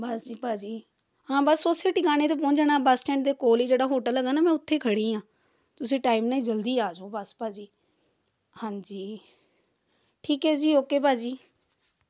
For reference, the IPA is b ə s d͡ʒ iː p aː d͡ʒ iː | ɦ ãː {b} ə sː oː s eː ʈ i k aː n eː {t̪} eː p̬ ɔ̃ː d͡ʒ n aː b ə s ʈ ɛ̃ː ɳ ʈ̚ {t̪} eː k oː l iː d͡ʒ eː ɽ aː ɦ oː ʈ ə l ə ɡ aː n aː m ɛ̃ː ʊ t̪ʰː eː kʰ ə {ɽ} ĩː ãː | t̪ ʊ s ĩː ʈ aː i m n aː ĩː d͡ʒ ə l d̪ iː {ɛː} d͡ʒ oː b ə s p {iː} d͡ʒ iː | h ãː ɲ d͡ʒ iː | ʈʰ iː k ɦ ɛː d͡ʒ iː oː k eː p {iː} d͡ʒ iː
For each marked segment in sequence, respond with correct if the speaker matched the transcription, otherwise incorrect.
correct, correct, incorrect: d̪, correct, incorrect: aː, incorrect: aː, incorrect: aː

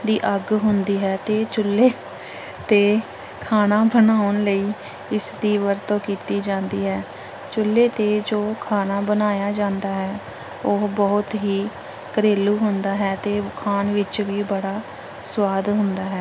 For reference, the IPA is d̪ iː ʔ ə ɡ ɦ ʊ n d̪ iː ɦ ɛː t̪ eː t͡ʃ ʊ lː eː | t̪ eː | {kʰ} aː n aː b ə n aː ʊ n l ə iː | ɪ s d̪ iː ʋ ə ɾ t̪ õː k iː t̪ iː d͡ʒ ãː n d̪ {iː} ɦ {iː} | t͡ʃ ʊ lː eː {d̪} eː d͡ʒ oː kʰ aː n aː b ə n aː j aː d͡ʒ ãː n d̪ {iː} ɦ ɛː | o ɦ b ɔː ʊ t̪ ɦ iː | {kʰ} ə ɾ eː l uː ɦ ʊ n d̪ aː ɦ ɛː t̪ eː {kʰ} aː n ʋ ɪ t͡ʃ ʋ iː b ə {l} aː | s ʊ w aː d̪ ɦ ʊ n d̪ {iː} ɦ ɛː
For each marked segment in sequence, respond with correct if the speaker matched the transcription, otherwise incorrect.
correct, correct, incorrect: ɛː, incorrect: t̪, incorrect: aː, incorrect: k, correct, incorrect: ɽ, incorrect: aː

